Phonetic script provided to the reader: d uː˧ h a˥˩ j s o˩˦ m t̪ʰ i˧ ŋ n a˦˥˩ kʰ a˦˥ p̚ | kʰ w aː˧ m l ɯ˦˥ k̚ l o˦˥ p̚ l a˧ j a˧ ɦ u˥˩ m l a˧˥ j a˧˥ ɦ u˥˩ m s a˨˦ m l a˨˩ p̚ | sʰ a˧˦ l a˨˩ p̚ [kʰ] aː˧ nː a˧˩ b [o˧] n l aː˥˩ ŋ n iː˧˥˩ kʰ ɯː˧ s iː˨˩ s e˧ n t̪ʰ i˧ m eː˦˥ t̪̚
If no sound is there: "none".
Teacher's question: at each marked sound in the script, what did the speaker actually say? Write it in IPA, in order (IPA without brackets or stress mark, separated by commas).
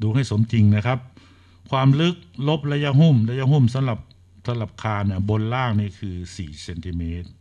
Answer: kʰ, o˧